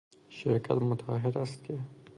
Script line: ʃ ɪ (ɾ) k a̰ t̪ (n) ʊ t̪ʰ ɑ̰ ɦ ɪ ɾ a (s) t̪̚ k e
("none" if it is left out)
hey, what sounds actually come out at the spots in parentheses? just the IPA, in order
ɾ, m, s

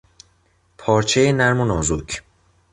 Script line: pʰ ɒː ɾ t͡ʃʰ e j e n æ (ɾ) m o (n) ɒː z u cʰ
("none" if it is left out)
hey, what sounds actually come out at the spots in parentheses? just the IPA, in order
ɾ, n

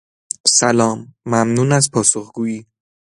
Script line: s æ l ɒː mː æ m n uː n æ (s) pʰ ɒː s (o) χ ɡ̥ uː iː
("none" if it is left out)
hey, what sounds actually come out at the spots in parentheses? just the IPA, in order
z, o

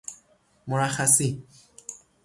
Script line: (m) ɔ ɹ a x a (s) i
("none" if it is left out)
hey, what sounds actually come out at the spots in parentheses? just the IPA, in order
m, s

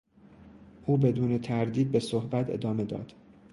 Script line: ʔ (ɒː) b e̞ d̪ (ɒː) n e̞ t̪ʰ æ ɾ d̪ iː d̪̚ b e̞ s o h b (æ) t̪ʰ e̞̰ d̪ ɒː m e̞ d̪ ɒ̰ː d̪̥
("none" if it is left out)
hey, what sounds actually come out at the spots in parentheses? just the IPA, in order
uː, uː, æ

